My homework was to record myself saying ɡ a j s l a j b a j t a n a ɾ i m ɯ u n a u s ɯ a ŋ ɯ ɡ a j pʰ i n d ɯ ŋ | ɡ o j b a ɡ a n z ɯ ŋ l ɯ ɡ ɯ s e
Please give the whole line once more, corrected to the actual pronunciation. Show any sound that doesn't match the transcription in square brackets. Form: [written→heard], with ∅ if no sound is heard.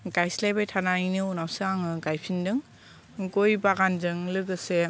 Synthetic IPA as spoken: ɡ a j s l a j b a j [t→tʰ] a n a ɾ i [m→n] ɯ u n a [u→w] s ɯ a ŋ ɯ ɡ a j pʰ i n d ɯ ŋ | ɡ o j b a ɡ a n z ɯ ŋ l ɯ ɡ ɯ s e

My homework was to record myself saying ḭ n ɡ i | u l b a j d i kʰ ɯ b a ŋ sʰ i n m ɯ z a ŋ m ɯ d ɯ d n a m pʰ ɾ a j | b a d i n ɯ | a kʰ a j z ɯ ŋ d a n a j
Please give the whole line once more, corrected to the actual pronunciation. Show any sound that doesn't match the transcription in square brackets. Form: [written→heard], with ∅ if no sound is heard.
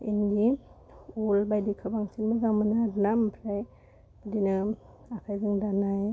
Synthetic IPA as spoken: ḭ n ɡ i | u l b a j d i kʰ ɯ b a ŋ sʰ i n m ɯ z a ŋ m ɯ [d→n] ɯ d n a m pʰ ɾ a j | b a d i n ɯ | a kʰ a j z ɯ ŋ d a n a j

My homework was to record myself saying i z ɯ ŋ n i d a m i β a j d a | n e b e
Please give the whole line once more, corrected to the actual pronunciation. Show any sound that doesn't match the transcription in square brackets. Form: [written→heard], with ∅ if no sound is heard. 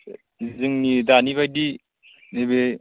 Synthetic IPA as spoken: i z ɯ ŋ n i d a [m→n] i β a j d [a→i] | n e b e

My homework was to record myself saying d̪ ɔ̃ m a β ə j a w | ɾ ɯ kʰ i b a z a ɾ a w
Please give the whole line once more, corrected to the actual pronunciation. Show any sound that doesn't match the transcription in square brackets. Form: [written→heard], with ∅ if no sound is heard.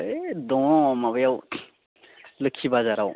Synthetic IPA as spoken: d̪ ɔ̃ m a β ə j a w | [ɾ→l] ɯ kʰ i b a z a ɾ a w

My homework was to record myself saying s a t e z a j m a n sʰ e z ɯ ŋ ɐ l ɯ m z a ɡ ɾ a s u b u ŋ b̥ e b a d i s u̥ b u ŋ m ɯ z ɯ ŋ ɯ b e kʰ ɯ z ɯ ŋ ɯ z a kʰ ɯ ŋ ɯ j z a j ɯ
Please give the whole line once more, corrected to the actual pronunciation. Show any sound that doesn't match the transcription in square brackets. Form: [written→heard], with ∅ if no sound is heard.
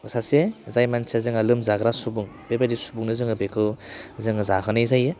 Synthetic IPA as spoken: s a [t→s] e z a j m a n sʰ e z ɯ ŋ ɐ l ɯ m z a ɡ ɾ a s u b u ŋ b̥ e b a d i s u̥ b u ŋ [m→n] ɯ z ɯ ŋ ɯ b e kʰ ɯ z ɯ ŋ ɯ z a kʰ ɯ [ŋ→n] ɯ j z a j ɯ

